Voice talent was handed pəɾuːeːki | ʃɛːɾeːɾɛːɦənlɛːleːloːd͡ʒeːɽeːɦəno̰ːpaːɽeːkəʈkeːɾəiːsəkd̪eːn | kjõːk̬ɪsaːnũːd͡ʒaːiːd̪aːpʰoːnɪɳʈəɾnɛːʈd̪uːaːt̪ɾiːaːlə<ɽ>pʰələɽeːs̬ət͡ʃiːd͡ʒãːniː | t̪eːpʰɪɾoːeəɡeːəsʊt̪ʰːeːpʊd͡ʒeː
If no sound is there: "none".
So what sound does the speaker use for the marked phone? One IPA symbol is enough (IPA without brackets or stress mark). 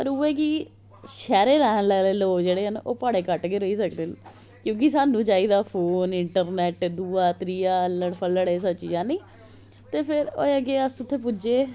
ɽ